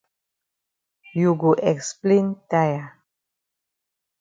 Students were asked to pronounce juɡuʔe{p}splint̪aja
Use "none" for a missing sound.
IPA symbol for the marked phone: k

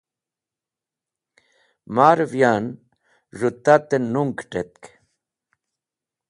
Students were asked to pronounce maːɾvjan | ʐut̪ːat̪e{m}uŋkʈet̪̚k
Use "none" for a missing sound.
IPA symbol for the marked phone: n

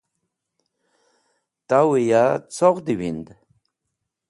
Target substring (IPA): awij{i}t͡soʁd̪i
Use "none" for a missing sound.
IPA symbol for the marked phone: a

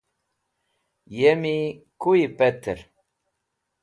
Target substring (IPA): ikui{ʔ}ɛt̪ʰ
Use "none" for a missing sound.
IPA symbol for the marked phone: p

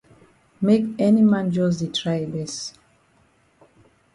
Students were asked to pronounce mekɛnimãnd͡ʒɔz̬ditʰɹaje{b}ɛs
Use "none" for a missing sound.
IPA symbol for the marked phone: b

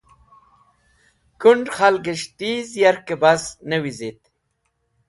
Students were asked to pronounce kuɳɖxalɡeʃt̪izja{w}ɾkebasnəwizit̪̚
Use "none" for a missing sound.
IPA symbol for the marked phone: none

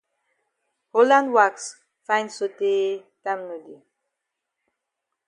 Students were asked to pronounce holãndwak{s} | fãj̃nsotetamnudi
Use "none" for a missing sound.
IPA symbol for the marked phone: s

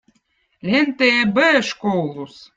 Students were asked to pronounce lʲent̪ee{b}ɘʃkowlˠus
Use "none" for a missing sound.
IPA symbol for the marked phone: b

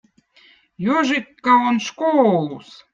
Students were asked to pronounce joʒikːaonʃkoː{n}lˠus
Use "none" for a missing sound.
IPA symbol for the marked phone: none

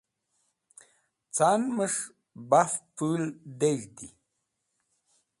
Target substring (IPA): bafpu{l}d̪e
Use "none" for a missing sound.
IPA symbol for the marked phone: l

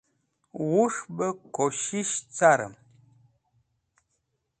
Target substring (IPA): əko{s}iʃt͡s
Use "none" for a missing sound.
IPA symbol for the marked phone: ʃ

